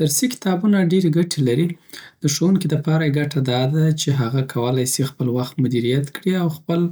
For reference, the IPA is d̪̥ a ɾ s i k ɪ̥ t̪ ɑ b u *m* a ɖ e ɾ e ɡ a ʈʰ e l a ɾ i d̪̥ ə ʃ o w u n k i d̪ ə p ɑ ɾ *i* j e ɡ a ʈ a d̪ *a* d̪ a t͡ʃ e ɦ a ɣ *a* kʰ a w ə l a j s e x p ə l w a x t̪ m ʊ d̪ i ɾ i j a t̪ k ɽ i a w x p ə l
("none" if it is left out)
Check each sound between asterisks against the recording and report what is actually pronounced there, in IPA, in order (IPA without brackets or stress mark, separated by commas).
n, a, ɑ, a